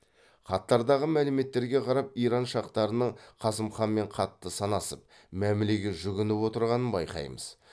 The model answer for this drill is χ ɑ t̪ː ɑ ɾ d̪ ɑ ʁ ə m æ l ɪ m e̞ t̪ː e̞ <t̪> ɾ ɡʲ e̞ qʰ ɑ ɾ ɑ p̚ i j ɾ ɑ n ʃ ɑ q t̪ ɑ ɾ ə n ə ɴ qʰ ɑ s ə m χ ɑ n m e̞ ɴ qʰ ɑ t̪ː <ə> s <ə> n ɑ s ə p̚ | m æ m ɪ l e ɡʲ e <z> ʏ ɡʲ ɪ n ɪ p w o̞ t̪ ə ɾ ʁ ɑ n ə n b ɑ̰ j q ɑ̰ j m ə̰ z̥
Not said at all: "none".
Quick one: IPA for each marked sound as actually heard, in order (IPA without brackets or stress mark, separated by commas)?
none, ə, ɑ, ʒ